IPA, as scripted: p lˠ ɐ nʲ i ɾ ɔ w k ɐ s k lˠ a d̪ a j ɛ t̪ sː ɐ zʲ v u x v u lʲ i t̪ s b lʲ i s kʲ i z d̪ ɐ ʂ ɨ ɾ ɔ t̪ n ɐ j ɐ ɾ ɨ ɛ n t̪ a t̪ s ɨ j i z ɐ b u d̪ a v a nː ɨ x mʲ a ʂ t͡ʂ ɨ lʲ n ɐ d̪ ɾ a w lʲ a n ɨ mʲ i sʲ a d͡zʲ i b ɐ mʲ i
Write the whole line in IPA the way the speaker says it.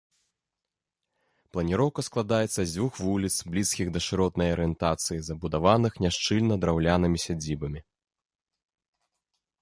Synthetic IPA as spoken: p lˠ ɐ nʲ i ɾ ɔ w k ɐ s k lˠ a d̪ a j ɛ t̪ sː ɐ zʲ v u x v u lʲ i t̪ s b lʲ i s kʲ i ɣ d̪ ɐ ʂ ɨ ɾ ɔ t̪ n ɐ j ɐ ɾ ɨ ɛ n t̪ a t̪ s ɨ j i z ɐ b u d̪ a v a n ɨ x nʲ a ʂ t͡ʂ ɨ lʲ n ɐ d̪ ɾ a w lʲ a n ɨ mʲ i sʲ a d͡zʲ i b ɐ mʲ i